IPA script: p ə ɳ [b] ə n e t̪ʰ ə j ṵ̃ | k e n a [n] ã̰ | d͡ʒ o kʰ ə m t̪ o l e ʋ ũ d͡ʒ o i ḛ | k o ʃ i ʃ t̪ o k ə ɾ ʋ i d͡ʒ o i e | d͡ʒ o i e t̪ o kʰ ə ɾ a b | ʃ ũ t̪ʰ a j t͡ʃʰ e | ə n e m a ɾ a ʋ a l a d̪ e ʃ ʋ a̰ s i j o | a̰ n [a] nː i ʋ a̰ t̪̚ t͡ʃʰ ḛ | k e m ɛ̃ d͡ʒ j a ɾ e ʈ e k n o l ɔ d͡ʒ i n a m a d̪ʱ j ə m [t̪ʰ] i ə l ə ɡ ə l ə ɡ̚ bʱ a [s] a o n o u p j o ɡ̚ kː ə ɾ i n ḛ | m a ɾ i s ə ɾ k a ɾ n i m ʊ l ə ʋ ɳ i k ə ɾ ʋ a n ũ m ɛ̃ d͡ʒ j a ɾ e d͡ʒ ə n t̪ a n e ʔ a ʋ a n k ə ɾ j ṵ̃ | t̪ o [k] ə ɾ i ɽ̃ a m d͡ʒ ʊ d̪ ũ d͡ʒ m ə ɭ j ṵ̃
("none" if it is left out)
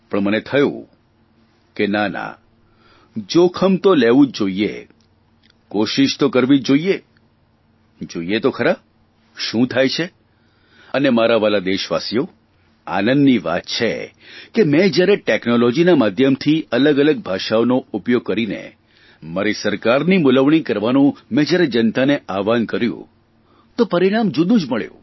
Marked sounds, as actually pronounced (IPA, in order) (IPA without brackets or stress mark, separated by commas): m, n, ə, t̪ʰ, ʃ, p